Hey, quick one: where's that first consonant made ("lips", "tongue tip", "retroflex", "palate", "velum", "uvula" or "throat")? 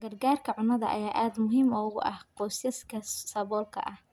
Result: velum